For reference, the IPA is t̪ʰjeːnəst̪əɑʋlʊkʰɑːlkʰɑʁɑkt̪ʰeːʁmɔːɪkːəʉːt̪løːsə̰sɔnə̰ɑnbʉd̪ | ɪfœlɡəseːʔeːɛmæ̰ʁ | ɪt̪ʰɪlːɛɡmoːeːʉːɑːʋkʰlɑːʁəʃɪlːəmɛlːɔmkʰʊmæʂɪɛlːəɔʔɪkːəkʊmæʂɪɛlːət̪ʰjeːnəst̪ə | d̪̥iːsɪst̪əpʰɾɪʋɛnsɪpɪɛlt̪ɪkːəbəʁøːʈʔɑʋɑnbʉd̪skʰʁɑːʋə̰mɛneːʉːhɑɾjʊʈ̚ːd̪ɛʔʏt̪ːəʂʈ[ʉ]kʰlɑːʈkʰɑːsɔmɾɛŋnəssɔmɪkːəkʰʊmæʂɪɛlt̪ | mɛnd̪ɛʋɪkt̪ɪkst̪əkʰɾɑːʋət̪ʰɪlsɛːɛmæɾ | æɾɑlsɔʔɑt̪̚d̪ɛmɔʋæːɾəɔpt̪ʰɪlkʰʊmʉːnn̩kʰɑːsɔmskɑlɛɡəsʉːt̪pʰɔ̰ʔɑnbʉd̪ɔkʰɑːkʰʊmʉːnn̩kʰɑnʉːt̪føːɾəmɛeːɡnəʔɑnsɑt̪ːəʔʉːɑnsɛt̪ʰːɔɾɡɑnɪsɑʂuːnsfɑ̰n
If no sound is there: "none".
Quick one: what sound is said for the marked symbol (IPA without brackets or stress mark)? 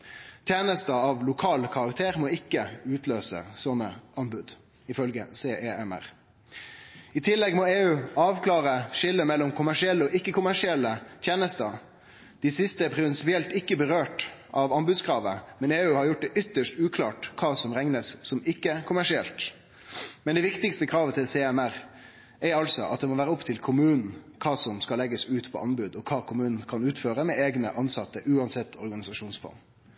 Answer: ʉː